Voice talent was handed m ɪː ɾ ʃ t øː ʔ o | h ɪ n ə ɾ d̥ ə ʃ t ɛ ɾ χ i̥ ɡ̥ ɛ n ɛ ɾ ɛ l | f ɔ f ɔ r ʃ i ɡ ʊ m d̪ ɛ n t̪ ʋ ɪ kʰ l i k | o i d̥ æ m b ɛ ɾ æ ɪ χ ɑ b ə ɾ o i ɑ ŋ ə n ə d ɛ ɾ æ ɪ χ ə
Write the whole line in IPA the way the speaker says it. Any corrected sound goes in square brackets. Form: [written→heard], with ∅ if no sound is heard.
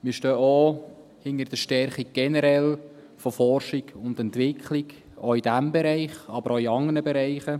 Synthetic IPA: m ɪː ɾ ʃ t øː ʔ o | h ɪ n ə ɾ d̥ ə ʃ t ɛ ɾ χ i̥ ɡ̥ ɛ n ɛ ɾ ɛ l | f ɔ f ɔ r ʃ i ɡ ʊ [m→n] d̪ ɛ n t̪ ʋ ɪ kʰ l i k | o i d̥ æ m b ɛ ɾ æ ɪ χ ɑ b ə ɾ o i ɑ ŋ ə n ə [d→b] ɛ ɾ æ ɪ χ ə

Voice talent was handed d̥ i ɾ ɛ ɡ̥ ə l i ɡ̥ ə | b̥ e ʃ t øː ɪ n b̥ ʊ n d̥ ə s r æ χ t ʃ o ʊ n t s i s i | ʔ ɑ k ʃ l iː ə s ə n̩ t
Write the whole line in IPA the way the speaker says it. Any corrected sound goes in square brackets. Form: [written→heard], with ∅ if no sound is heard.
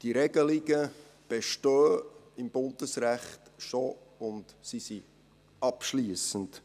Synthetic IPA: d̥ i ɾ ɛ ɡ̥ ə l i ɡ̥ ə | b̥ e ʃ t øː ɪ [n→m] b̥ ʊ n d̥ ə s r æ χ t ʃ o ʊ n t s i s i | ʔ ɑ [k→p] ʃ l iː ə s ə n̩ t

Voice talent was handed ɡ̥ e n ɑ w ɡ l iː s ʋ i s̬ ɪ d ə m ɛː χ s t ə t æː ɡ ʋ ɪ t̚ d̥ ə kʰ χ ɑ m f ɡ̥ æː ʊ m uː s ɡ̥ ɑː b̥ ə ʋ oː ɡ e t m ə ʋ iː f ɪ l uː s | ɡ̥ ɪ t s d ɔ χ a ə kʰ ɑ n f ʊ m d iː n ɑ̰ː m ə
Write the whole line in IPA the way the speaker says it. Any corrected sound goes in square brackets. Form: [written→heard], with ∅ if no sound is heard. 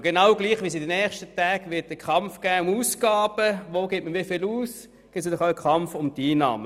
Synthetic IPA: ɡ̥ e n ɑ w ɡ l iː [s→χ] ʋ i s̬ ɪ d ə [m→n] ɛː χ [s→ʃ] t ə t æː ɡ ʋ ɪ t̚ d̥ ə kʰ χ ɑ m f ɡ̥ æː ʊ m uː s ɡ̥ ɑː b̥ ə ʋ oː ɡ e t m ə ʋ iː f ɪ l uː s | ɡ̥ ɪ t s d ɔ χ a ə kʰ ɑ [n→m] f ʊ m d iː n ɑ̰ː m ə

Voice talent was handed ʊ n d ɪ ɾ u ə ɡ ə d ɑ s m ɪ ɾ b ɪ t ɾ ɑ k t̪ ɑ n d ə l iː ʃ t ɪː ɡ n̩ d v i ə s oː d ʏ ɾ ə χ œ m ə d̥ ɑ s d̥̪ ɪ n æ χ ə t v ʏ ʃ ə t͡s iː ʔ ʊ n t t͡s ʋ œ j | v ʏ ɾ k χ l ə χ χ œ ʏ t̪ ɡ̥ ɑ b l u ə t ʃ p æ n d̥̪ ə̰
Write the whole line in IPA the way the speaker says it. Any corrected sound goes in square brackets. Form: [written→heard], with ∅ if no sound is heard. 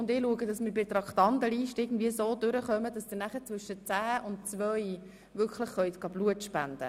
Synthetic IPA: ʊ n d ɪ [ɾ→l] u ə ɡ ə d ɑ s m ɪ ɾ b ɪ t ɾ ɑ k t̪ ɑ n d ə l iː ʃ t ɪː ɡ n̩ d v i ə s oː d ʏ ɾ ə χ œ m ə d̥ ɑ s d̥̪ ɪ n æ χ ə [t→t͡s] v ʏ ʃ ə t͡s [iː→æː] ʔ ʊ n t t͡s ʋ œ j | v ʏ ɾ k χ l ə χ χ œ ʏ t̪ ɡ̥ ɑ b l u ə t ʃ p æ n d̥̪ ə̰

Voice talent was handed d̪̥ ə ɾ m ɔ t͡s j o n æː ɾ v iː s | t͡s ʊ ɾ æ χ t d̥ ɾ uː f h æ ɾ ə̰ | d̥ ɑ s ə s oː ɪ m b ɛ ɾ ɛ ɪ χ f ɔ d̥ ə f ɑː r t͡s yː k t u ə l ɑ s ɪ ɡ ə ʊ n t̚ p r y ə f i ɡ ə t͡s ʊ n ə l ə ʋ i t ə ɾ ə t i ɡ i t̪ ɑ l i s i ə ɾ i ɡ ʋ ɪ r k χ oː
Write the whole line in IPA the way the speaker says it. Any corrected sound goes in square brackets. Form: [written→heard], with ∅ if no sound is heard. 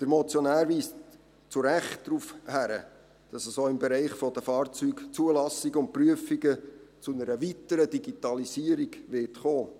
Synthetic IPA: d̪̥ ə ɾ m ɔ t͡s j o n æː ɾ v iː s | t͡s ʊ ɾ æ χ t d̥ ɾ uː f h æ ɾ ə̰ | d̥ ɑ s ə s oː ɪ m b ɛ ɾ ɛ ɪ χ f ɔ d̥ ə f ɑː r t͡s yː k [t→t͡s] u ə l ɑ s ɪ ɡ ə ʊ n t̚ p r y ə f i ɡ ə t͡s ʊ n ə [l→ɾ] ə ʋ i t ə ɾ ə [t→d] i ɡ i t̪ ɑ l i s i ə ɾ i ɡ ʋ ɪ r [k→t] χ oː

